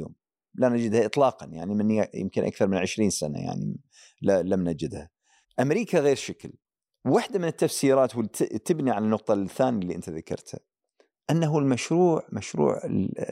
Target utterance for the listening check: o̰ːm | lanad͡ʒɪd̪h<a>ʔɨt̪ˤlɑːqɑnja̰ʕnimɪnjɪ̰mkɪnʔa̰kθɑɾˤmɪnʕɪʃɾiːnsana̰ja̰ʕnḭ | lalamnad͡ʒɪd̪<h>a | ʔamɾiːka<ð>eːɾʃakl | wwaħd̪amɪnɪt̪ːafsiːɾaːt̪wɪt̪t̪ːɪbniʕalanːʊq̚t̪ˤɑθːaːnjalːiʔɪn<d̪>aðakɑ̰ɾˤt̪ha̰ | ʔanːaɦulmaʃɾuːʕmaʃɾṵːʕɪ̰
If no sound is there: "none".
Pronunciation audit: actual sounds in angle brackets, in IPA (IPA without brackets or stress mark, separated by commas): a, h, ɣ, t̪